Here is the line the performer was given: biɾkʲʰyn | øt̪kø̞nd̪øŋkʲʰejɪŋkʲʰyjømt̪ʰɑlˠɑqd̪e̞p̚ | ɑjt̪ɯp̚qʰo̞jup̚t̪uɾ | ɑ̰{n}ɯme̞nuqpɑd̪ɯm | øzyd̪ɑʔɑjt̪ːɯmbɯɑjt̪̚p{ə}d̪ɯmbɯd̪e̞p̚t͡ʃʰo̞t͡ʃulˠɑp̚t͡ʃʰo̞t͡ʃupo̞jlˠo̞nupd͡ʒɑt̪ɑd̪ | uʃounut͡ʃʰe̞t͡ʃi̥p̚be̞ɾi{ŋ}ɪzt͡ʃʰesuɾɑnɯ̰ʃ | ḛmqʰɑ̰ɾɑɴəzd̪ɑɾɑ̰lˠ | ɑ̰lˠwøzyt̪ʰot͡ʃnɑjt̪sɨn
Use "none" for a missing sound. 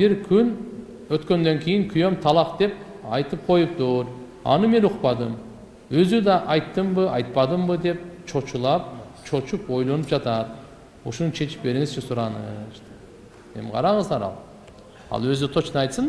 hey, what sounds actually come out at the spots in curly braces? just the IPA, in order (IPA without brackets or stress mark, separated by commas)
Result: n, ɑ, ŋ